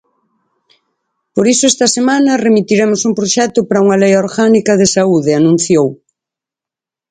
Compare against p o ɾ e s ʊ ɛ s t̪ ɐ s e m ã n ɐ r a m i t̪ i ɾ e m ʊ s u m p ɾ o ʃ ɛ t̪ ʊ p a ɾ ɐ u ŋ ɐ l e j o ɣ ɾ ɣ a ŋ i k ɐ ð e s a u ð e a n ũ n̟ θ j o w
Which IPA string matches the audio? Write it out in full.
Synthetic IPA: p o ɾ i s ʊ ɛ s t̪ ɐ s e m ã n ɐ r e m i t̪ i ɾ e m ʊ s u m p ɾ o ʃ ɛ t̪ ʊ p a ɾ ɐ u ŋ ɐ l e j o ɾ ɣ a n i k ɐ ð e s a u ð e a n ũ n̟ θ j o w